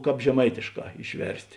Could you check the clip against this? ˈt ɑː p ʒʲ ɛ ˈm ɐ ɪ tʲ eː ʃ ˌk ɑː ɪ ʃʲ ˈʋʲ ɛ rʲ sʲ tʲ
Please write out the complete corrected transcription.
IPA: ˈk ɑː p ʒʲ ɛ ˈm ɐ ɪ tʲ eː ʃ ˌk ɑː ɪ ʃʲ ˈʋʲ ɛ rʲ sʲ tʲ

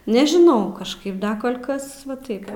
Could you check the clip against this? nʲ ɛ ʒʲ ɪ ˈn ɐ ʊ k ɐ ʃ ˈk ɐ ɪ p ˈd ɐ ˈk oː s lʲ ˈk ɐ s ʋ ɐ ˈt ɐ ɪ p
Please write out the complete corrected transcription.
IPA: nʲ ɛ ʒʲ ɪ ˈn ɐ ʊ k ɐ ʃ ˈk ɐ ɪ p ˈd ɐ ˈk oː lʲ ˈk ɐ s ʋ ɐ ˈt ɐ ɪ p

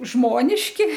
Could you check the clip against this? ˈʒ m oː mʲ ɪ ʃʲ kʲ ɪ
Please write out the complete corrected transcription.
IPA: ˈʒ m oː nʲ ɪ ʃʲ kʲ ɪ

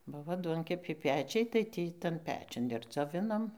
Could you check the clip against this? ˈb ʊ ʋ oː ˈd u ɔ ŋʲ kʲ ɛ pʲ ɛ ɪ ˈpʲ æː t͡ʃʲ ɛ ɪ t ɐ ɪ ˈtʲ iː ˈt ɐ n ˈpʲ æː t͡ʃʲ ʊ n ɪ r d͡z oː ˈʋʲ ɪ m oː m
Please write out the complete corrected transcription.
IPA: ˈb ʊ ʋ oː ˈd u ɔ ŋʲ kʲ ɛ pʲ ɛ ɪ ˈpʲ æː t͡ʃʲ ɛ ɪ t ɐ ɪ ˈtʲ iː ˈt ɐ n ˈpʲ æː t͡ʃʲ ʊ n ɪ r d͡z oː ˈʋʲ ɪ n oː m

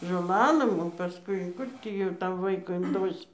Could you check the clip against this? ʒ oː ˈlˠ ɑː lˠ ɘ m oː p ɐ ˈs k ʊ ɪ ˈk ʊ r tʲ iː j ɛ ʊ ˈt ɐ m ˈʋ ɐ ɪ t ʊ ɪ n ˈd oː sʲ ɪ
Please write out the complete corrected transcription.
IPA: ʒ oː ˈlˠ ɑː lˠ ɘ m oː p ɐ ˈs k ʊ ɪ ˈk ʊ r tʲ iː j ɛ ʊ ˈt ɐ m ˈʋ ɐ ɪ k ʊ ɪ n ˈd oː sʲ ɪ

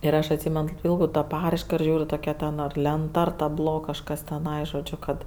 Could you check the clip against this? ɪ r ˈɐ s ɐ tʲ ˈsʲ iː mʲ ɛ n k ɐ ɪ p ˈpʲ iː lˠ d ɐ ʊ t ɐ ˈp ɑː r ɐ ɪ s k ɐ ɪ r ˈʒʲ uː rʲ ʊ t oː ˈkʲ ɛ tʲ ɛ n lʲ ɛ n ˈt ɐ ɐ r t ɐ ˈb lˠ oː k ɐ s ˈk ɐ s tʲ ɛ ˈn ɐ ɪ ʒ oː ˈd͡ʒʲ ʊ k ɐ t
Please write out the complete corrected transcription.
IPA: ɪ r ˈɐ ʃ ɐ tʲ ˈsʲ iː mʲ ɛ n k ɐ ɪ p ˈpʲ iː lˠ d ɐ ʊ t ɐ ˈp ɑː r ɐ ɪ ʃ k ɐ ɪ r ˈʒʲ uː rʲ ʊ t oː ˈkʲ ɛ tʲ ɛ n lʲ ɛ n ˈt ɐ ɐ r t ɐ ˈb lˠ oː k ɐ ʃ ˈk ɐ s tʲ ɛ ˈn ɐ ɪ ʒ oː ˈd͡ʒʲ ʊ k ɐ t

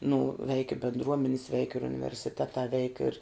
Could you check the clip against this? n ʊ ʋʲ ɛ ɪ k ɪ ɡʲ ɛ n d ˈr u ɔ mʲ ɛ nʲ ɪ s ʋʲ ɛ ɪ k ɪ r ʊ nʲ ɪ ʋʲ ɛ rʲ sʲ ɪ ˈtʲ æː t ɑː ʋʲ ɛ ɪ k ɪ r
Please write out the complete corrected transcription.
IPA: n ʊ ʋʲ ɛ ɪ k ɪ bʲ ɛ n d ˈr u ɔ mʲ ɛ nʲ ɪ s ʋʲ ɛ ɪ k ɪ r ʊ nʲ ɪ ʋʲ ɛ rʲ sʲ ɪ ˈtʲ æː t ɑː ʋʲ ɛ ɪ k ɪ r

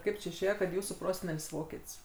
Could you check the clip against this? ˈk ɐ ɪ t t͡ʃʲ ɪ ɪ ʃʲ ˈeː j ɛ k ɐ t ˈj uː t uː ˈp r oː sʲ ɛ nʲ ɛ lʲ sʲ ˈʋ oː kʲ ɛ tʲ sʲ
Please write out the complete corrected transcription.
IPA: ˈk ɐ ɪ p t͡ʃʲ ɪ ɪ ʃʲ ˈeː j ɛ k ɐ t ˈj uː s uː ˈp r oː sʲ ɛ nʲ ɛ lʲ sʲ ˈʋ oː kʲ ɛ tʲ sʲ

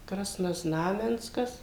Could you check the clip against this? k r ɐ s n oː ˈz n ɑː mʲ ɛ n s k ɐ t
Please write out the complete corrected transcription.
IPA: k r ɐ s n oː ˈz n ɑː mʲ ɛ n s k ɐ s

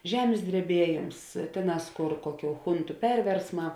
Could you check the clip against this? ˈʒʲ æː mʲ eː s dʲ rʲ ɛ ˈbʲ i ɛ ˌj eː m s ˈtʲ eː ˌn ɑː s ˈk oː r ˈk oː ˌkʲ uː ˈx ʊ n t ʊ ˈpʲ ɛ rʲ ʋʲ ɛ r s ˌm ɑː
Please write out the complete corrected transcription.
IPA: ˈʒʲ æː mʲ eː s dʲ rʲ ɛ ˈbʲ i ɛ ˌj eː m s ˈtʲ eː ˌn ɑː s ˈk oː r ˈk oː ˌkʲ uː ˈx ʊ n t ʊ ˈpʲ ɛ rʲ ʋʲ ɛ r s ˌm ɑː

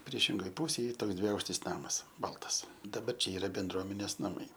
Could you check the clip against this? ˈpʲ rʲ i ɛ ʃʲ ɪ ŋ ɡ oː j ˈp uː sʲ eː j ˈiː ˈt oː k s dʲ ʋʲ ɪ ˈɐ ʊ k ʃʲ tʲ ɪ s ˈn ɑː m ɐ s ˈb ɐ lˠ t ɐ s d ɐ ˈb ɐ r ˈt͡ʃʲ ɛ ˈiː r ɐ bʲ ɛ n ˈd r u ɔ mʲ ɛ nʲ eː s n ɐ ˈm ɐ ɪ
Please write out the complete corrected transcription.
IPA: ˈpʲ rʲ i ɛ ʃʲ ɪ ŋ ɡ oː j ˈp uː sʲ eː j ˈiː ˈt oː k s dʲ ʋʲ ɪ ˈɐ ʊ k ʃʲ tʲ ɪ s ˈn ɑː m ɐ s ˈb ɐ lˠ t ɐ s d ɐ ˈb ɐ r ˈt͡ʃʲ ɛ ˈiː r ɐ bʲ ɛ n ˈd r u ɔ mʲ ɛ nʲ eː s n ɐ ˈm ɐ ɪ

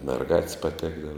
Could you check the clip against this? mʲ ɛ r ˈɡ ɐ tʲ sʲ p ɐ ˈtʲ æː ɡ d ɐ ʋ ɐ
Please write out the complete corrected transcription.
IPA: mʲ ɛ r ˈɡ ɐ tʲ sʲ p ɐ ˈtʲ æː ɡ d ɐ ʋ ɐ

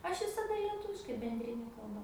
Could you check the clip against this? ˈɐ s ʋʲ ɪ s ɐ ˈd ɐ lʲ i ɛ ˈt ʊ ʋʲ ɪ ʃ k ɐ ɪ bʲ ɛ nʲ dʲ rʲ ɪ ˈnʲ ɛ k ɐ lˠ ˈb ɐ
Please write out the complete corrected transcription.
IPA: ˈɐ ʃ ʋʲ ɪ s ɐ ˈd ɐ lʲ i ɛ ˈt ʊ ʋʲ ɪ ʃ k ɐ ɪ bʲ ɛ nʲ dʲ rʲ ɪ ˈnʲ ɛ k ɐ lˠ ˈb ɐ

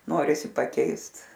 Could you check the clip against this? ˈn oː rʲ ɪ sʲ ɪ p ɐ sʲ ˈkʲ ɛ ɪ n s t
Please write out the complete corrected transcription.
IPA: ˈn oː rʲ ɪ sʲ ɪ p ɐ ˈkʲ ɛ ɪ s t

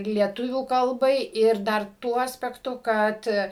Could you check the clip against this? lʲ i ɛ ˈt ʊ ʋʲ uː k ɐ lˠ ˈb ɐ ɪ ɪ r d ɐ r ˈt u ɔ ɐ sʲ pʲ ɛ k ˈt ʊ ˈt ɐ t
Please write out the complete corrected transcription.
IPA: lʲ i ɛ ˈt ʊ ʋʲ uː k ɐ lˠ ˈb ɐ ɪ ɪ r d ɐ r ˈt u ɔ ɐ sʲ pʲ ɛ k ˈt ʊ ˈk ɐ t

